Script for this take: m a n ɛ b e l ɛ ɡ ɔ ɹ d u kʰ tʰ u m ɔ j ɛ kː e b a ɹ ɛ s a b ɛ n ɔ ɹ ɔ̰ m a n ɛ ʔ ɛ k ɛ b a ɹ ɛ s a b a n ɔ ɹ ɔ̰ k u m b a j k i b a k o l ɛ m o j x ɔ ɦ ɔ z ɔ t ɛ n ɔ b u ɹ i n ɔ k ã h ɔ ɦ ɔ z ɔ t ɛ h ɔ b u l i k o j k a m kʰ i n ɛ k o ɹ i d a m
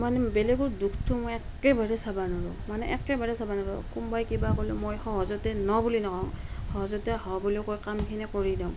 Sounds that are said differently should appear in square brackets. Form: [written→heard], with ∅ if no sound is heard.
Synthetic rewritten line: m a n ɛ b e l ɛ ɡ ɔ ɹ d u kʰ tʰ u m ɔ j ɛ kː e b a ɹ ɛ s a b [ɛ→a] n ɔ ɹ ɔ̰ m a n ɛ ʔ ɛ k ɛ b a ɹ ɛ s a b a n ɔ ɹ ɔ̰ k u m b a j k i b a k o l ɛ m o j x ɔ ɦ ɔ z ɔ t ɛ n ɔ b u [ɹ→l] i n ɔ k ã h ɔ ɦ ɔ z ɔ t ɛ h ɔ b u l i k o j k a m kʰ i n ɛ k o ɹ i d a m